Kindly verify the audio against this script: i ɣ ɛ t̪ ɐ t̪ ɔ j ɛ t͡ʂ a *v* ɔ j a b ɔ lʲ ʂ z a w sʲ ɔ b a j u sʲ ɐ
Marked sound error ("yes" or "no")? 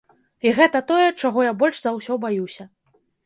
yes